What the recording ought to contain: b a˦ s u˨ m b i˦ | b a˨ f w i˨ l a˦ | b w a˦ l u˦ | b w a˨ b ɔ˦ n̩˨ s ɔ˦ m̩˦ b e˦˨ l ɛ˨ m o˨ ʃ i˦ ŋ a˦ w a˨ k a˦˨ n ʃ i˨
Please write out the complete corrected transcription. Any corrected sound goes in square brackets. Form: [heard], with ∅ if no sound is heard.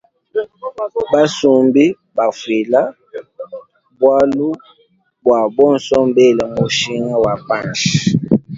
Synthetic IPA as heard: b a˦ s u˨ m b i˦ | b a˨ f w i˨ l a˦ | b w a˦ l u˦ | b w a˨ b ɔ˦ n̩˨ s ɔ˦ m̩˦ b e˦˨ l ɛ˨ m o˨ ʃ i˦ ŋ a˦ w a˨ [p] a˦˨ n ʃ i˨